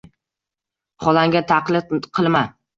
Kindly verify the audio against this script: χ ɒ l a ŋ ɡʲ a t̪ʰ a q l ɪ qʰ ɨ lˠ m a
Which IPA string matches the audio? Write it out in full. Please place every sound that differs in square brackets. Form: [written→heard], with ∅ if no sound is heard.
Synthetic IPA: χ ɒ l a ŋ ɡʲ a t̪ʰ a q l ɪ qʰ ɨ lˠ m a